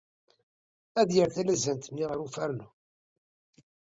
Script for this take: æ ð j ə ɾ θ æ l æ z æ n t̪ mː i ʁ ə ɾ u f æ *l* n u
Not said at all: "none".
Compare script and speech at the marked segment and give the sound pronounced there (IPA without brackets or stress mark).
ɾ